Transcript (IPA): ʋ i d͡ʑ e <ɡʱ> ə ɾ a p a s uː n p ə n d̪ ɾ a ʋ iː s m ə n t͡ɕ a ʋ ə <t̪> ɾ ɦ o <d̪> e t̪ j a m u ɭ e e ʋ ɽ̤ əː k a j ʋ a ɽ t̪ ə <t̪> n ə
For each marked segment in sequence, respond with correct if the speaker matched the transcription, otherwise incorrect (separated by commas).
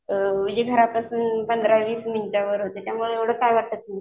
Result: correct, incorrect, incorrect, correct